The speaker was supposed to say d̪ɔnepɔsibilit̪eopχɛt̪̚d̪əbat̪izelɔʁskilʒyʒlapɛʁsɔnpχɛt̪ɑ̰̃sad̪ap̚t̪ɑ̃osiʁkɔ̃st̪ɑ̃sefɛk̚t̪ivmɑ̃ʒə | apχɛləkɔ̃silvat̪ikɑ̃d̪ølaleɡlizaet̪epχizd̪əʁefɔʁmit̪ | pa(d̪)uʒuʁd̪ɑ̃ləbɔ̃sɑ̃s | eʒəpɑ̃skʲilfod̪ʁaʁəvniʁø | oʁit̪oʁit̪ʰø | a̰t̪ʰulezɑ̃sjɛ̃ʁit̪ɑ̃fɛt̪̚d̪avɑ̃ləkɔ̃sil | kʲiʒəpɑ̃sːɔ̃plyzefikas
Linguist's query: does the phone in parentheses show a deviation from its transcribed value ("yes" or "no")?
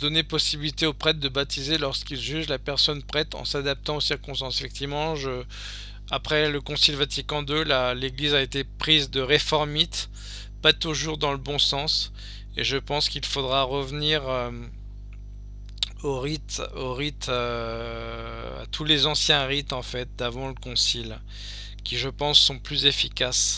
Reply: yes